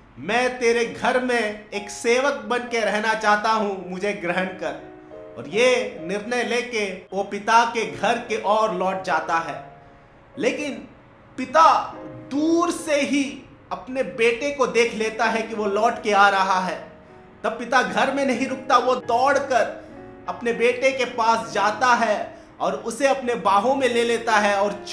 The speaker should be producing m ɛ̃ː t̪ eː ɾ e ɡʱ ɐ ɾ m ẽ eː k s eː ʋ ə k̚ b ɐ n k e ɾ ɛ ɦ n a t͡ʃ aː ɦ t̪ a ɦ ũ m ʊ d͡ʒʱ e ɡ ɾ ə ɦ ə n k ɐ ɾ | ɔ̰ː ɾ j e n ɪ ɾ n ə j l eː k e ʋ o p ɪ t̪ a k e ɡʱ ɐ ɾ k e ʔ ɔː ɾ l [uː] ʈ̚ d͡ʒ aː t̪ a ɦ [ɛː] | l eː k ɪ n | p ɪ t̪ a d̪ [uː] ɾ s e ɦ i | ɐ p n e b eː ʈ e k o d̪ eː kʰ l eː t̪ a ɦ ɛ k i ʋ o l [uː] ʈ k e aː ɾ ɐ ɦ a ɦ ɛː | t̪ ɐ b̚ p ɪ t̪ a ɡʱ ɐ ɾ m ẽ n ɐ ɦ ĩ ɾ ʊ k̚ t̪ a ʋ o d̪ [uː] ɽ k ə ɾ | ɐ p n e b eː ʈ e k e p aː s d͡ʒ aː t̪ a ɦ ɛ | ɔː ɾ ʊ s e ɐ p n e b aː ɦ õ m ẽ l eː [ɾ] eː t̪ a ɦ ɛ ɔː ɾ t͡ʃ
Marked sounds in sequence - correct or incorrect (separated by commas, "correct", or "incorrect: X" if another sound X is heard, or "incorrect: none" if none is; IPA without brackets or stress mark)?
incorrect: ɔː, correct, correct, incorrect: ɔː, incorrect: ɔː, incorrect: l